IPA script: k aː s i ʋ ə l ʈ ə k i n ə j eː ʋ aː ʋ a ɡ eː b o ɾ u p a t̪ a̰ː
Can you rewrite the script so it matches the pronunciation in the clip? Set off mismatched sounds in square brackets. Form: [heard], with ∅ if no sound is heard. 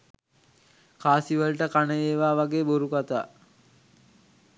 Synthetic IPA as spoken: k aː s i ʋ ə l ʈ ə k [a] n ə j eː ʋ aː ʋ a ɡ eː b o ɾ u [k] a t̪ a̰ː